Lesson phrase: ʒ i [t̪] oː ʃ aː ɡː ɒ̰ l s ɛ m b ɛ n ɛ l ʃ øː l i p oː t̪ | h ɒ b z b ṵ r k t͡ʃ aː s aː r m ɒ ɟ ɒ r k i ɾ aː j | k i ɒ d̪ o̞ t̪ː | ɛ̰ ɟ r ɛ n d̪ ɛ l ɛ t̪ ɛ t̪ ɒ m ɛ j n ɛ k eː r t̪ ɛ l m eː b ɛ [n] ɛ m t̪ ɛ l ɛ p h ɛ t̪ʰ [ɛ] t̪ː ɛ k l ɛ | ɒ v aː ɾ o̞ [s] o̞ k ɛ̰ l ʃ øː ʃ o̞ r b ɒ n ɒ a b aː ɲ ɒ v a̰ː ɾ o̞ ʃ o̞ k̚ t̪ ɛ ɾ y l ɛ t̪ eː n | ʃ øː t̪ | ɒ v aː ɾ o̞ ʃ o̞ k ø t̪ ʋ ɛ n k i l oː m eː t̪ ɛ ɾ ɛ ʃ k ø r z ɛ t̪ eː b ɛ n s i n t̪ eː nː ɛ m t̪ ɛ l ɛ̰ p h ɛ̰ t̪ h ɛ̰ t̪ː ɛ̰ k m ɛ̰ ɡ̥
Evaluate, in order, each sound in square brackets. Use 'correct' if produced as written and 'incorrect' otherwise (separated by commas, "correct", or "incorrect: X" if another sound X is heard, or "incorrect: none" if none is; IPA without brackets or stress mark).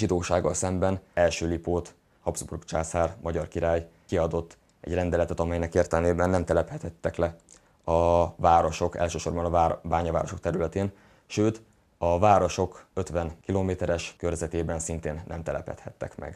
incorrect: d̪, incorrect: nː, correct, incorrect: ʃ